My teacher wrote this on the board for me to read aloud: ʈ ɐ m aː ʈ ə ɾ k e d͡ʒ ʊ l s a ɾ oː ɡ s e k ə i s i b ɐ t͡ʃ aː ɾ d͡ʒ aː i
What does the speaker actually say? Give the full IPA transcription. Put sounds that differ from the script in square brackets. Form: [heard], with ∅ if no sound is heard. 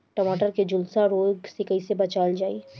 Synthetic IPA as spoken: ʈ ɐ m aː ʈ ə ɾ k e d͡ʒ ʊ l s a ɾ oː ɡ s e k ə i s [e] b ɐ t͡ʃ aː [l] d͡ʒ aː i